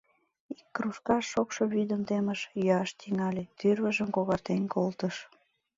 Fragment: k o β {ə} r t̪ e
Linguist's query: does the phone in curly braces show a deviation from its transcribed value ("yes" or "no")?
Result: yes